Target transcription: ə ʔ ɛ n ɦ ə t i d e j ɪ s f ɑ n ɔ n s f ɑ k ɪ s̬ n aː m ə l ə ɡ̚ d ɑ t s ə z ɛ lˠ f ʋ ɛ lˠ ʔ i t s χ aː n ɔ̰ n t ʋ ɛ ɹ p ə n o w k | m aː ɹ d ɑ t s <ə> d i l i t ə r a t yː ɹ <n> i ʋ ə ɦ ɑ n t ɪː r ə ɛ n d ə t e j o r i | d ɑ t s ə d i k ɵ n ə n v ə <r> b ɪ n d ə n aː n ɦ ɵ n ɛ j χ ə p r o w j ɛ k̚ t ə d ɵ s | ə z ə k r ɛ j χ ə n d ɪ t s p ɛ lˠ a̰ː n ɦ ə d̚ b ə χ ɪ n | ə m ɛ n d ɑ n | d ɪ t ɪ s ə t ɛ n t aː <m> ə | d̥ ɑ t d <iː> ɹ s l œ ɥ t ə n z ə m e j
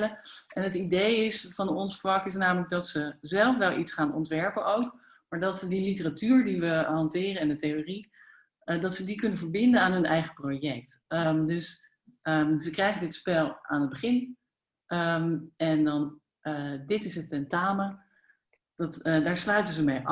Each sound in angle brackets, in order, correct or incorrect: correct, incorrect: d, incorrect: ɹ, correct, incorrect: aː

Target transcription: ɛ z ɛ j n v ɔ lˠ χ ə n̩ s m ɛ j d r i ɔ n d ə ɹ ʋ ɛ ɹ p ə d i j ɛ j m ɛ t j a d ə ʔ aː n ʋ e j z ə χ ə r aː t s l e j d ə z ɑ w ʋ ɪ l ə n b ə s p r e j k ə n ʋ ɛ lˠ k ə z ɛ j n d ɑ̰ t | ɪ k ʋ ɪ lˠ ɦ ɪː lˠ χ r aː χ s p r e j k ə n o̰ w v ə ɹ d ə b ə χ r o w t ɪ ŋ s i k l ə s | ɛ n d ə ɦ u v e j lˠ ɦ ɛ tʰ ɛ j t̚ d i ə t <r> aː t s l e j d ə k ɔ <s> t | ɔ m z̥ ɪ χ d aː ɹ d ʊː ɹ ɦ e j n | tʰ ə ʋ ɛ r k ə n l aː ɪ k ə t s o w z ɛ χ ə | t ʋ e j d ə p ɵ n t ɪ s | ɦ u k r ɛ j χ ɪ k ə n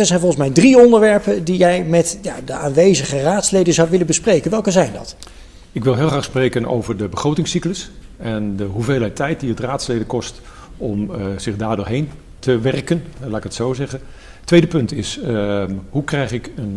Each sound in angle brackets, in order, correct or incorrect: correct, correct

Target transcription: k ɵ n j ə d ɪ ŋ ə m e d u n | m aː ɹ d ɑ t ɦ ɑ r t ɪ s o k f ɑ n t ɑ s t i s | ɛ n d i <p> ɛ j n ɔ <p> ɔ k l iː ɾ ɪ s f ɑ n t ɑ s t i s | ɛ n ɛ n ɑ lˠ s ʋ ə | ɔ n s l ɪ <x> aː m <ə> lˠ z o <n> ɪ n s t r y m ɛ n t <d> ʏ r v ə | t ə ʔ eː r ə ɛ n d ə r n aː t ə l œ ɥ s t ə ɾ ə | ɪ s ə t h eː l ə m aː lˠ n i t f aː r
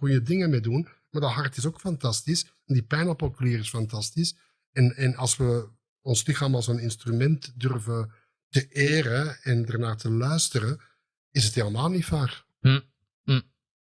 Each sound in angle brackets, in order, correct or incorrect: correct, correct, correct, incorrect: ɑ, correct, correct

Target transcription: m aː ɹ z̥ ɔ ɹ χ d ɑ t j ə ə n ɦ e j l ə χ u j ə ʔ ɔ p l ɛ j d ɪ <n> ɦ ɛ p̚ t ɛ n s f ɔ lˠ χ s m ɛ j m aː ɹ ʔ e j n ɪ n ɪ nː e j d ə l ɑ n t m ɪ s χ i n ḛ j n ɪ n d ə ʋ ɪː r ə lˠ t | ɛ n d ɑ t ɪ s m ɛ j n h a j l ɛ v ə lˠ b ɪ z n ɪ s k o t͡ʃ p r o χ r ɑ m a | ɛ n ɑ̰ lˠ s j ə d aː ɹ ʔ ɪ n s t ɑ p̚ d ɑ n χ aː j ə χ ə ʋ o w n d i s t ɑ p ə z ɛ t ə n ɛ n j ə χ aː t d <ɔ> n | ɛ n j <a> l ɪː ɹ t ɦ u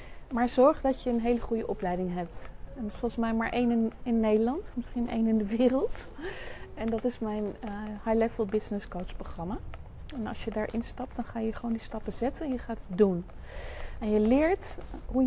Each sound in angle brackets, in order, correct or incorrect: incorrect: ŋ, incorrect: u, incorrect: ə

